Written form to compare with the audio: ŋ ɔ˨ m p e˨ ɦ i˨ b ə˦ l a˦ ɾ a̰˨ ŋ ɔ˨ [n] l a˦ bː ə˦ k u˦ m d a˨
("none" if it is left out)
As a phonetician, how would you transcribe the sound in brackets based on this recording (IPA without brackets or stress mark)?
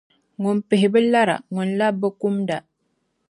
n